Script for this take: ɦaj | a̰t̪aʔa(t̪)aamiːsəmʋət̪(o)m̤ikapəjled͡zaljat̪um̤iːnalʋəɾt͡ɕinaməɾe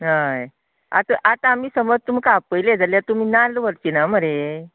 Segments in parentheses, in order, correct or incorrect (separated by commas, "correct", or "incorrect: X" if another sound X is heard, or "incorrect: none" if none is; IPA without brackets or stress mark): correct, incorrect: u